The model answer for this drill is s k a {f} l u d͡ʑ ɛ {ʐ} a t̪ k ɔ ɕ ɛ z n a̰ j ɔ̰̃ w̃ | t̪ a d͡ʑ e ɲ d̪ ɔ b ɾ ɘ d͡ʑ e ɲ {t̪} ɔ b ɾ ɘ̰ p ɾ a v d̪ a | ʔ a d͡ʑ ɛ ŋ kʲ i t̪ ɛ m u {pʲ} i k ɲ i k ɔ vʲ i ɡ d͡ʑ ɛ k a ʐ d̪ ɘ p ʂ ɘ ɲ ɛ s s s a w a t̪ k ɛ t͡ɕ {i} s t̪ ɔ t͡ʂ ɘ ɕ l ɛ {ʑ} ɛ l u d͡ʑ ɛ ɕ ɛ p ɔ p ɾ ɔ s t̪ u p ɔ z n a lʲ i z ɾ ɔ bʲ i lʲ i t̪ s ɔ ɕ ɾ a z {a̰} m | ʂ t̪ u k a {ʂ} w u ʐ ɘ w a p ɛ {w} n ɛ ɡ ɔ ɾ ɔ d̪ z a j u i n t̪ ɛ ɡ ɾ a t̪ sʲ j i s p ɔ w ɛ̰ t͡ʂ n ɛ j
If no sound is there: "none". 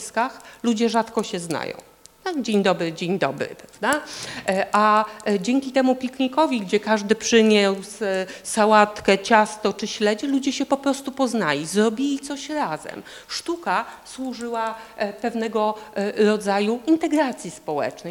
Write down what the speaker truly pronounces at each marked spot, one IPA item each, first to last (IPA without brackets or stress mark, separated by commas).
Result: x, ʐ, d̪, pʲ, a, d͡ʑ, ɛ̰, s, v